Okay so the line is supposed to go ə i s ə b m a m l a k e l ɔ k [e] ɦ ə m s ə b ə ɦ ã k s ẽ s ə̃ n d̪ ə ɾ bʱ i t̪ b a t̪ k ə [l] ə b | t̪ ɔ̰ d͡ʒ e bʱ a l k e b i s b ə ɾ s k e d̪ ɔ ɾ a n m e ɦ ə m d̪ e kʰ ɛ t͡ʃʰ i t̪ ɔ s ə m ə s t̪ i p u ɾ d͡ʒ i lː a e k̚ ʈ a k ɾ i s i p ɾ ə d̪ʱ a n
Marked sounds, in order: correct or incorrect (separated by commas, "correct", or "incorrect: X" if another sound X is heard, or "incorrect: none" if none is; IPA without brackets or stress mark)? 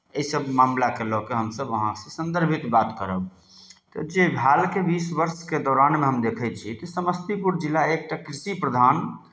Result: correct, incorrect: ɾ